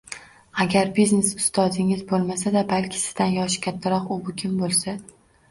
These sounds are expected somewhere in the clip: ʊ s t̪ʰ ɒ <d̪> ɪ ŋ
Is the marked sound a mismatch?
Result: no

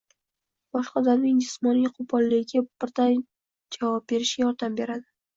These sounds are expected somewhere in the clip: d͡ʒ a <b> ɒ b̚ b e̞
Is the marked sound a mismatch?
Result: yes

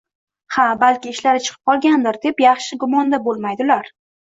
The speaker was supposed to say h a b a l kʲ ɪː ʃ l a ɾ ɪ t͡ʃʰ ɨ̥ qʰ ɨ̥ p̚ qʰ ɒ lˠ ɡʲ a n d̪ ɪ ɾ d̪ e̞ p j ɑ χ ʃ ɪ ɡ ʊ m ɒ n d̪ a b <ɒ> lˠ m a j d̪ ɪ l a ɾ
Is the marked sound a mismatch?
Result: yes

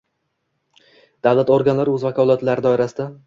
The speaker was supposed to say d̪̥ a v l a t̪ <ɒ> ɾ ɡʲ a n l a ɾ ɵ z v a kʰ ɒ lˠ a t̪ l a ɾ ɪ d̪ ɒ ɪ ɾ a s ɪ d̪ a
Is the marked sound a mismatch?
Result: yes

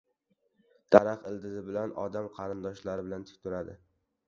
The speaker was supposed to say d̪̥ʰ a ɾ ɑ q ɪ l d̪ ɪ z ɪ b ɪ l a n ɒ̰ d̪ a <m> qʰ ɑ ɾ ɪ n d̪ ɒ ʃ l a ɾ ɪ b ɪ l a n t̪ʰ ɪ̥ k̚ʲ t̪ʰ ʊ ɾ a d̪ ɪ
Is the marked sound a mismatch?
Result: no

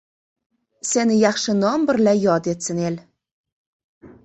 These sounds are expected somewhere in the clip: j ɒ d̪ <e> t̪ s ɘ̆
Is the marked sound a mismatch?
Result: no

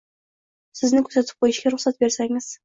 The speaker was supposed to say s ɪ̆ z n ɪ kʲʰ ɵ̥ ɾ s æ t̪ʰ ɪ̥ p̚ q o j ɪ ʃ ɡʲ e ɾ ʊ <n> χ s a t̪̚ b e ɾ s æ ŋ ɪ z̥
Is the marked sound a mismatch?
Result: yes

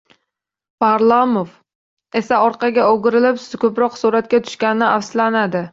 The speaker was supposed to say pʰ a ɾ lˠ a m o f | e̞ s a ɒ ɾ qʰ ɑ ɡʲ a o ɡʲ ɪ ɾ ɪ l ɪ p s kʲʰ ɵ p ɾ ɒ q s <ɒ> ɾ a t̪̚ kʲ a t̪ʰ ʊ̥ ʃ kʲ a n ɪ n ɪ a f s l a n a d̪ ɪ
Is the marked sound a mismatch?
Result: yes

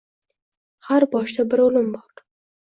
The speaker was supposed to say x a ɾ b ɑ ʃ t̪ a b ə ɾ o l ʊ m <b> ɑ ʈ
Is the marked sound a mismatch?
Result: no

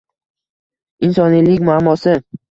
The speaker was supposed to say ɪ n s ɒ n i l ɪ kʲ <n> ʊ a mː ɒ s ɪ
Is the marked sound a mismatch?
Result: yes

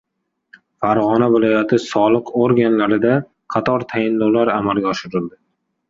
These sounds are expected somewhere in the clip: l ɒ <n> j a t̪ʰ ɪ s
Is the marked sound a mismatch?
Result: yes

